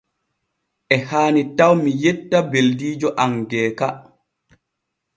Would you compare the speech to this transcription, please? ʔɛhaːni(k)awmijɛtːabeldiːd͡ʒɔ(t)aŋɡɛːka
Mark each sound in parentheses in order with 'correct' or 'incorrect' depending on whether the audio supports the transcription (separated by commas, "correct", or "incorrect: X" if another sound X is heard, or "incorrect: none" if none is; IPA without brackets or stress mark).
incorrect: t, incorrect: ʔ